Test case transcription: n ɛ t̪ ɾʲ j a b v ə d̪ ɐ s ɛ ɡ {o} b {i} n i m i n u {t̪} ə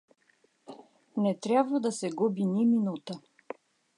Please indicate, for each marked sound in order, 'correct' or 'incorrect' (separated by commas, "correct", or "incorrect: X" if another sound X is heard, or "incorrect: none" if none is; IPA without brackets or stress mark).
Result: incorrect: u, correct, correct